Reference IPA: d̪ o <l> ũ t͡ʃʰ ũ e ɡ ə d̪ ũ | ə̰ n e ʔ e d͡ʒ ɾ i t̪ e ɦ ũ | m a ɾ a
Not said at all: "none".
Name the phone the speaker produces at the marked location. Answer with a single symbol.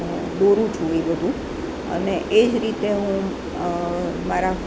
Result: ɾ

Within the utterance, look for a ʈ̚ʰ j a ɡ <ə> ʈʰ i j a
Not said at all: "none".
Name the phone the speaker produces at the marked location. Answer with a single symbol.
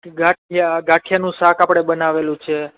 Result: a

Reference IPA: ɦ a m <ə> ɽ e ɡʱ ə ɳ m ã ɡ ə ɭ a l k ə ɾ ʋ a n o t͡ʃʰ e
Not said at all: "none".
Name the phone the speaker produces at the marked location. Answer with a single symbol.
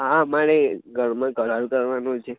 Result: a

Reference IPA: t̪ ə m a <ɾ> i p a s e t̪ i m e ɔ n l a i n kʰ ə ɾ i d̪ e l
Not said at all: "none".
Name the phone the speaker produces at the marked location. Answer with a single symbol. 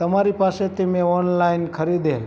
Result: ɾ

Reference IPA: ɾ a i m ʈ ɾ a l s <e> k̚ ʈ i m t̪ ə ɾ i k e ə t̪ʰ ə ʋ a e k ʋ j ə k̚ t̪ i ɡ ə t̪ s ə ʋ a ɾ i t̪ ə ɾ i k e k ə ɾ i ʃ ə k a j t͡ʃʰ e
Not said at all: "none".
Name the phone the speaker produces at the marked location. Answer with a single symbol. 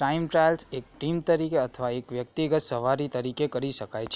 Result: e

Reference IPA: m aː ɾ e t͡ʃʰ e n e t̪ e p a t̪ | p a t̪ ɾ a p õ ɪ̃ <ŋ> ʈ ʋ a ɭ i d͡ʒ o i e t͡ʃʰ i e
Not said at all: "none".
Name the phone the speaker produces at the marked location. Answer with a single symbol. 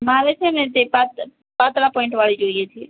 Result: ɳ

